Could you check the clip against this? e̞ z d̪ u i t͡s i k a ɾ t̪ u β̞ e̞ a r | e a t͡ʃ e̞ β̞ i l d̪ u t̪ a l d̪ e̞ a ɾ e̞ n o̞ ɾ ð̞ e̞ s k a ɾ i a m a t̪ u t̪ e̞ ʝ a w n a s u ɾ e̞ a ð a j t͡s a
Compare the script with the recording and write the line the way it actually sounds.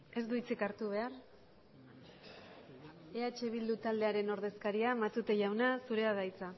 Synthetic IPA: e̞ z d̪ u i t͡s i k a ɾ t̪ u β̞ e̞ a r | e a t͡ʃ e̞ β̞ i l d̪ u t̪ a l d̪ e̞ a ɾ e̞ n o̞ ɾ ð̞ e̞ s k a ɾ i a m a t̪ u t̪ e̞ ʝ a w n a s u ɾ e̞ a ð a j t͡s a